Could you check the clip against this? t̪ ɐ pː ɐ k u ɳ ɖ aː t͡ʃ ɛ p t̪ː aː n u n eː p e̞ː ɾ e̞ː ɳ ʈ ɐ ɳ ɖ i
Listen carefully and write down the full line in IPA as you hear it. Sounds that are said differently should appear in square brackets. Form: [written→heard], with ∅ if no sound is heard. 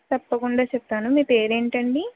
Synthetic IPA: t̪ ɐ pː ɐ k u ɳ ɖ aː t͡ʃ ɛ p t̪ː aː n u [n→m] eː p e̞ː ɾ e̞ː ɳ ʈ ɐ ɳ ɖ i